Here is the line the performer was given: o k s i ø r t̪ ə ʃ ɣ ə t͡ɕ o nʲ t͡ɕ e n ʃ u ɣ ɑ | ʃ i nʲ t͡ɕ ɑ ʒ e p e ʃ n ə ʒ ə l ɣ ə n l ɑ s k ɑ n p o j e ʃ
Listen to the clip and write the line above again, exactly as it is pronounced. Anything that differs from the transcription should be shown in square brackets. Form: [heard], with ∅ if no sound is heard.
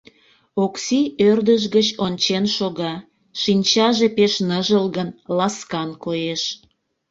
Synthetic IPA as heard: o k s i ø r [d̪] ə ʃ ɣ ə t͡ɕ o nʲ t͡ɕ e n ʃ [o] ɣ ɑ | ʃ i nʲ t͡ɕ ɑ ʒ e p e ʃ n ə ʒ ə l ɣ ə n l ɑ s k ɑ n [k] o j e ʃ

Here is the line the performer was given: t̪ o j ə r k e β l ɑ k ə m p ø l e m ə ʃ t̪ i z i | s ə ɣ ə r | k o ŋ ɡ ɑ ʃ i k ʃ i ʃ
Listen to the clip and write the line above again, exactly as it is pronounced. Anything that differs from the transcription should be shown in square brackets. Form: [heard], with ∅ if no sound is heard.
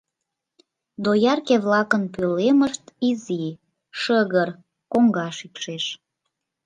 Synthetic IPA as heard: [d̪] o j [ɑ] r k e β l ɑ k ə [n] p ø l e m ə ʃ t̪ i z i | [ʃ] ə ɣ ə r | k o ŋ ɡ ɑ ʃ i k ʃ [e] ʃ

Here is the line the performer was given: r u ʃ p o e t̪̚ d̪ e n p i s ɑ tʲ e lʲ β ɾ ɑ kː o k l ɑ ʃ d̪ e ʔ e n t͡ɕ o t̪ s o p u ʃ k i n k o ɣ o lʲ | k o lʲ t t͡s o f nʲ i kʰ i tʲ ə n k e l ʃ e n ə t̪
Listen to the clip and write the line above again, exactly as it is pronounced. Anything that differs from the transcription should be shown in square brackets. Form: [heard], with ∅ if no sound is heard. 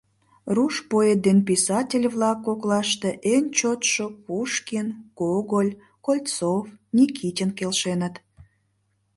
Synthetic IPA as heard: r u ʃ p o e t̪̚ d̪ e n p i s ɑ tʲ e lʲ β [l] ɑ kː o k l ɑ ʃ [t̪] e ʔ e n t͡ɕ o t̪ [ʃ] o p u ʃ k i n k o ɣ o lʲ | k o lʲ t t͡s o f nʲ i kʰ i tʲ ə n k e l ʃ e n ə t̪

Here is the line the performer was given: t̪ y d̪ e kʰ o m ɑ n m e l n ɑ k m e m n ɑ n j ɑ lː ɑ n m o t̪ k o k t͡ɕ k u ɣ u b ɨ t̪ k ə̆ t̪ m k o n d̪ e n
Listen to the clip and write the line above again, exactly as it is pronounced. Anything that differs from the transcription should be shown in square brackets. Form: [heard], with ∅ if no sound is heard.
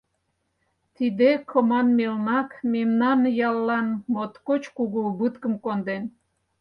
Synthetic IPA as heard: t̪ [i] d̪ e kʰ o m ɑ n m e l n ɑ k m e m n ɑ n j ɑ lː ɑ n m o t̪ k o [∅] t͡ɕ k u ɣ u b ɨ t̪ k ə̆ [∅] m k o n d̪ e n

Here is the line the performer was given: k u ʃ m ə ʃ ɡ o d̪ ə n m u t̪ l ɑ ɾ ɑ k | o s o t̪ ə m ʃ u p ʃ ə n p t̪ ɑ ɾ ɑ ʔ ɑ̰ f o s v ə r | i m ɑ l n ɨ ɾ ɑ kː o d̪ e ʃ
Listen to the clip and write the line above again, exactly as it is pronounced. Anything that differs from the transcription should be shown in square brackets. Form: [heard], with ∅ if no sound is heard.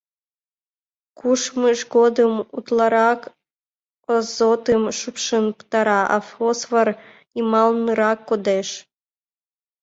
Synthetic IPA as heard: k u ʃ m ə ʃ ɡ o d̪ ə [∅] m u t̪ l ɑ ɾ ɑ k | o [z] o t̪ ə m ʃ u p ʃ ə n p t̪ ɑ ɾ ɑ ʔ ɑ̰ f o s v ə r | i m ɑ l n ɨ ɾ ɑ kː o d̪ e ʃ

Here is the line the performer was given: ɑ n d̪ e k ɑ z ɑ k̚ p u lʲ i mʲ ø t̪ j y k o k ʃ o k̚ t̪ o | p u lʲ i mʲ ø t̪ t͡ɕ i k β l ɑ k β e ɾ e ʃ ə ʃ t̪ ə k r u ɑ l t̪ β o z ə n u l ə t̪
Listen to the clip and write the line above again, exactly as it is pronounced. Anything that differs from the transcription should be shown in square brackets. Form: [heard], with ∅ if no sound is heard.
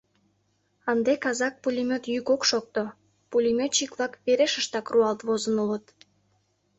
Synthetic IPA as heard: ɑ n d̪ e k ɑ z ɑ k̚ p u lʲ i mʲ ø t̪ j y k o k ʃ o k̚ t̪ o | p u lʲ i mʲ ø t̪ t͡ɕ i k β l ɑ k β e ɾ e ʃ ə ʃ t̪ [ɑ] k r u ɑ l t̪ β o z ə n u l ə t̪

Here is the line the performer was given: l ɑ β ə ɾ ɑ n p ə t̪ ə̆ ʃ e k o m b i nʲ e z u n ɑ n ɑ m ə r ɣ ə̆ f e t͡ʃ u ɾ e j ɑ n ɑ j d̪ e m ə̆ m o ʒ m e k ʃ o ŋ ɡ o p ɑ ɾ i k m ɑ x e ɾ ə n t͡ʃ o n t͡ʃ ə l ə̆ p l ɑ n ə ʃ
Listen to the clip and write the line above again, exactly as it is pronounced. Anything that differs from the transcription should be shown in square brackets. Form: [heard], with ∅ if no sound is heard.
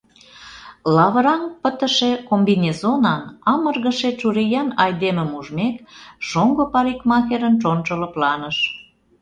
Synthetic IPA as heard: l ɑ β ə ɾ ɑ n p ə t̪ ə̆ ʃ e k o m b i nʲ e z [o] n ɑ n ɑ m ə r ɣ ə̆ [ʃ] e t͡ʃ u ɾ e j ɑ n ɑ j d̪ e m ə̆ m [u] ʒ m e k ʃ o ŋ ɡ o p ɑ ɾ i k m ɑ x e ɾ ə n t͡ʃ o n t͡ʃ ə l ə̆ p l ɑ n ə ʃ

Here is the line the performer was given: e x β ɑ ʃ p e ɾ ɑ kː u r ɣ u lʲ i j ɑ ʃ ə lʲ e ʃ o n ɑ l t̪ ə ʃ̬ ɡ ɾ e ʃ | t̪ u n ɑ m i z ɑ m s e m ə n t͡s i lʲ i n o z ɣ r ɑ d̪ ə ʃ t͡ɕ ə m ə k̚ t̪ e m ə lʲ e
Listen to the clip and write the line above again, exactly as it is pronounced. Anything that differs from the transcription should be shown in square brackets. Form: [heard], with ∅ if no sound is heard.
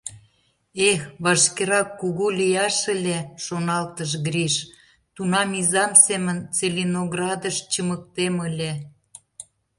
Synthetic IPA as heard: e x β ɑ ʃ [k] e ɾ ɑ kː u [∅] ɣ u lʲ i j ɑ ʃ ə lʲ e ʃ o n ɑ l t̪ ə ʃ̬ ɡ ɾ [i] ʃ | t̪ u n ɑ m i z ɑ m s e m ə n t͡s [e] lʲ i n o [∅] ɣ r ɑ d̪ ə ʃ t͡ɕ ə m ə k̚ t̪ e m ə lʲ e

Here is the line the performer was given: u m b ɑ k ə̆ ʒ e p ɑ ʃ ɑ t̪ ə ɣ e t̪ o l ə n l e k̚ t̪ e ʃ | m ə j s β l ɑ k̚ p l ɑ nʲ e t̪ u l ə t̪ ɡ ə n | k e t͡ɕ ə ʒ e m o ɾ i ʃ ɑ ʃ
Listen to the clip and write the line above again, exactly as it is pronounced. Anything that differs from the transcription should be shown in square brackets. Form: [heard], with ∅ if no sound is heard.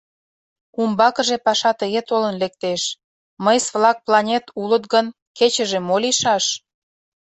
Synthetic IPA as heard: u m b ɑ k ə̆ ʒ e p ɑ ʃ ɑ t̪ ə ɣ e t̪ o l ə n l e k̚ t̪ e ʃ | m ə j s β l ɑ k̚ p l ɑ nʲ e t̪ u l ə t̪ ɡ ə n | k e t͡ɕ ə ʒ e m o [l] i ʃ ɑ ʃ

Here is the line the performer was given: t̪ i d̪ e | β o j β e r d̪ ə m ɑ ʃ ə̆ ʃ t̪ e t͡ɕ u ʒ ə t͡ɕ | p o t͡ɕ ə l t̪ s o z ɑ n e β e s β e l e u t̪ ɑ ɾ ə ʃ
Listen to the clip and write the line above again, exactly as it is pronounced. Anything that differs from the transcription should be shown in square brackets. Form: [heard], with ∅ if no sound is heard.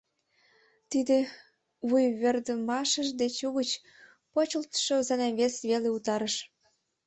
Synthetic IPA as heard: t̪ i d̪ e | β [u] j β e r d̪ ə m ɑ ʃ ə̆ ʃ [d̪] e t͡ɕ u [ɣ] ə t͡ɕ | p o t͡ɕ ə l t̪ [ʃ] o z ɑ n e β e s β e l e u t̪ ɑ ɾ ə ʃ

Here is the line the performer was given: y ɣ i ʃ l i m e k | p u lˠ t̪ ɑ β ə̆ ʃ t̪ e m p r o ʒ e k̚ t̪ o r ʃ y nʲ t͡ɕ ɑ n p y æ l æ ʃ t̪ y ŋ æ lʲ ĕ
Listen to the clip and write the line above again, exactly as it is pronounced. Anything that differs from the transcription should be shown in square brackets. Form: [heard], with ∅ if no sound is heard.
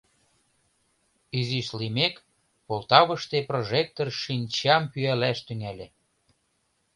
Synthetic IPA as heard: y [z] i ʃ l i m e k | p [o] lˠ t̪ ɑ β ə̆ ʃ t̪ e [∅] p r o ʒ e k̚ t̪ o r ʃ [i] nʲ t͡ɕ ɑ [m] p y æ l æ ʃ t̪ y ŋ æ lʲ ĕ

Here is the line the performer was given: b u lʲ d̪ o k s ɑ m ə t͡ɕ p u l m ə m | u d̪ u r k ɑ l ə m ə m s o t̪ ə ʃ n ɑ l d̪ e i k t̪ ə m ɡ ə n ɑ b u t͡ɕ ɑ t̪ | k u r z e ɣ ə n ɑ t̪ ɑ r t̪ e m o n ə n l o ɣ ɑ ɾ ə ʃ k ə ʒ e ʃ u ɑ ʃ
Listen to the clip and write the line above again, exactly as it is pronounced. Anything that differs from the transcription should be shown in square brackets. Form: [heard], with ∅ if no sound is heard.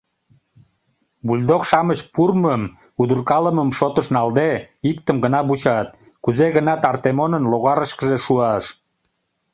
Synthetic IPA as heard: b u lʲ d̪ o k [ʃ] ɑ m ə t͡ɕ p u [r] m ə m | u d̪ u r k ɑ l ə m ə m [ʃ] o t̪ ə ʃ n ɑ l d̪ e i k t̪ ə m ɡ ə n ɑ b u t͡ɕ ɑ t̪ | k u [∅] z e ɣ ə n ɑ t̪ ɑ r t̪ e m o n ə n l o ɣ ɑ ɾ ə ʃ k ə ʒ e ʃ u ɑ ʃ

